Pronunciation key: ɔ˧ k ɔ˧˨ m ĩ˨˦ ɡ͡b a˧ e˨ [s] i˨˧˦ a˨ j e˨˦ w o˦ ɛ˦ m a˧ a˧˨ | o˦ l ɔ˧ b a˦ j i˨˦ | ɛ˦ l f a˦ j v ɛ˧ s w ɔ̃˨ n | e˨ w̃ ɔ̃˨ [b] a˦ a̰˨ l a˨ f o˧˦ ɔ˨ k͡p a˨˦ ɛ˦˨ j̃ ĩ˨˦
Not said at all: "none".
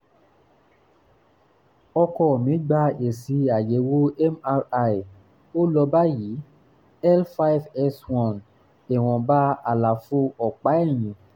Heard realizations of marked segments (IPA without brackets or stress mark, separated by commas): s, b